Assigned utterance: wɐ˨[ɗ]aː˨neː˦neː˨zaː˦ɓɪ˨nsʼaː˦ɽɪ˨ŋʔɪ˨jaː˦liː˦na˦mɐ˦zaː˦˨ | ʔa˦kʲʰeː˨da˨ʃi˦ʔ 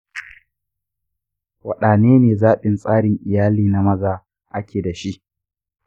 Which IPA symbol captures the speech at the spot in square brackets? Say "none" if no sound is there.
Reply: ɗ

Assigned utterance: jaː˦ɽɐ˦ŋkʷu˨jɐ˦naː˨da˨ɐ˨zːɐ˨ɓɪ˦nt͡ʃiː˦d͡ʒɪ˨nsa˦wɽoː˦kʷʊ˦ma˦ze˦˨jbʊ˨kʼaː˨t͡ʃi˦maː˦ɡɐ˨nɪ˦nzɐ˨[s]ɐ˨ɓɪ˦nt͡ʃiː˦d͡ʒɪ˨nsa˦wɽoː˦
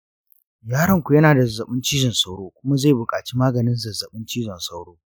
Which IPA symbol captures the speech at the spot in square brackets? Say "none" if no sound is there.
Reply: z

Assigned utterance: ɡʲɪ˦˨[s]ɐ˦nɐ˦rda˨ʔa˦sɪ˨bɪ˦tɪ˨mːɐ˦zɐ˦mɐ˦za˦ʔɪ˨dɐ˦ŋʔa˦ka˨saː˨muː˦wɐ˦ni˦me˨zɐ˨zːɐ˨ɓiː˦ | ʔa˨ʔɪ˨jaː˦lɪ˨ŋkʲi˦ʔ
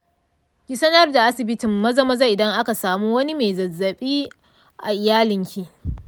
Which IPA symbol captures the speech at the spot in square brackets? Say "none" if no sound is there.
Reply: s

